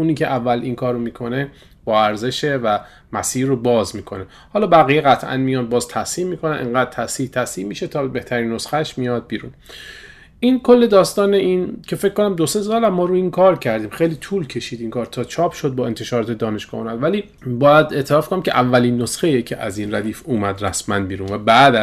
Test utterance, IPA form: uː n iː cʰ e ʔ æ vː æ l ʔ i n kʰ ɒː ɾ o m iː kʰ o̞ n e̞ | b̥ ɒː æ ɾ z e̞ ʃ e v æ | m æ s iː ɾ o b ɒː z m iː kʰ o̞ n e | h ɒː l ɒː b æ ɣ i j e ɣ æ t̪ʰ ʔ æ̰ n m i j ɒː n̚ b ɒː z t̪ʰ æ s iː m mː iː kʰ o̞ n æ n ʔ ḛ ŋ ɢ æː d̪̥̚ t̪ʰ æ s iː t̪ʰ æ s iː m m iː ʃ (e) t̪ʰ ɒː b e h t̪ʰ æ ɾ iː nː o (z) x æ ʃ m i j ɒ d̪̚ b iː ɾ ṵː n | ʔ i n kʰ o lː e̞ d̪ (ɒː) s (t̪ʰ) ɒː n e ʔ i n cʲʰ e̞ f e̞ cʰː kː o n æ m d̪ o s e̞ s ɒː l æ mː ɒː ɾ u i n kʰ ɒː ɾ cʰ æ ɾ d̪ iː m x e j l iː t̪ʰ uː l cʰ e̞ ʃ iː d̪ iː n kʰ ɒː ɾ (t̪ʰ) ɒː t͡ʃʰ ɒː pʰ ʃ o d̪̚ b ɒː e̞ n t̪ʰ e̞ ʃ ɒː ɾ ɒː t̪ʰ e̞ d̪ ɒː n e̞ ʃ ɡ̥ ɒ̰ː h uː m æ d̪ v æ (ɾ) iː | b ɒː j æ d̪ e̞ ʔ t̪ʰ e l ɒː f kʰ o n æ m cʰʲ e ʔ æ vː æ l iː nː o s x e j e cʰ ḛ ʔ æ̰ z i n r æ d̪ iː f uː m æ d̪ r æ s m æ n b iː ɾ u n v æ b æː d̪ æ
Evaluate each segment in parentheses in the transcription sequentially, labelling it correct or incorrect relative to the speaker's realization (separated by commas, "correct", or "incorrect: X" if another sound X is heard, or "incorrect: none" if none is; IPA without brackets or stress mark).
correct, incorrect: s, correct, incorrect: t̪, correct, incorrect: l